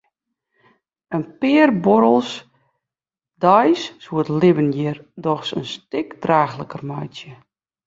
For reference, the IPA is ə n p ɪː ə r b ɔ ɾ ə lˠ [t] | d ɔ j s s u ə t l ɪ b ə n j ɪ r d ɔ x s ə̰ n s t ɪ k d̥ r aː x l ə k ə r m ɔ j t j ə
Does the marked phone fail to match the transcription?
yes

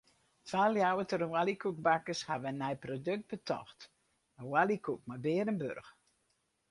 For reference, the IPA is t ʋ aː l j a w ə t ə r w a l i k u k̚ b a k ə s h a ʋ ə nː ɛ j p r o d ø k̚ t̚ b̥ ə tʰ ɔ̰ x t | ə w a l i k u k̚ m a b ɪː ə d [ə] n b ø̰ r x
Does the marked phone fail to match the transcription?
no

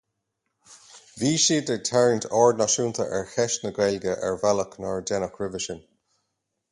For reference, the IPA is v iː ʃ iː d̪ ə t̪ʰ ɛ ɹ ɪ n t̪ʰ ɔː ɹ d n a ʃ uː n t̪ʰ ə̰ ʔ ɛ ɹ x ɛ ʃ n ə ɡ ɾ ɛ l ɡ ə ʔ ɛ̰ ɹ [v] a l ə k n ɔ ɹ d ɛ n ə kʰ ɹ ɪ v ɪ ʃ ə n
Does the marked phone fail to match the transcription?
no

